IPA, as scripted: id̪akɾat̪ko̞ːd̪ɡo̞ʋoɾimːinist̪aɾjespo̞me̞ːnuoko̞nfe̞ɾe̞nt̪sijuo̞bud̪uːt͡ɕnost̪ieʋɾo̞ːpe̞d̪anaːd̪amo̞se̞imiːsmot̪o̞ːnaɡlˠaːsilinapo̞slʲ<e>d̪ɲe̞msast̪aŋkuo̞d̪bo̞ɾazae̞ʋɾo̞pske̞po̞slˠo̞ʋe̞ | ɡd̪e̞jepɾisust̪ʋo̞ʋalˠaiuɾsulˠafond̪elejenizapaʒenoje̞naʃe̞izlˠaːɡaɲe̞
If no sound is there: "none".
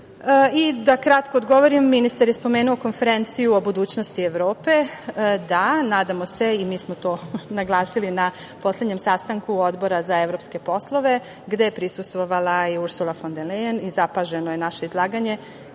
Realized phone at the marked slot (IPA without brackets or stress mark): e